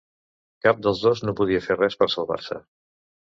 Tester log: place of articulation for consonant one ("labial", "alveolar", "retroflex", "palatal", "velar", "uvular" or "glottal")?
velar